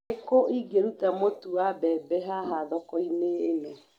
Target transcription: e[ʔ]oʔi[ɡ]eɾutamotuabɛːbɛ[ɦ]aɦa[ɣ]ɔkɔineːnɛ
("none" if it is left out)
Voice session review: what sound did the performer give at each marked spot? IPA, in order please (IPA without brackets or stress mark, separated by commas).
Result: k, ɡ, ɦ, ð